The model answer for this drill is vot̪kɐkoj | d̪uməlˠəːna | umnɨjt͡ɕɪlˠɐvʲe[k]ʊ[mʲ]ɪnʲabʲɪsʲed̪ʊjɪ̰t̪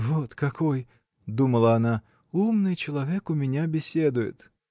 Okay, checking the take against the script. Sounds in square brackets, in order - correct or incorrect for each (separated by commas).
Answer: correct, correct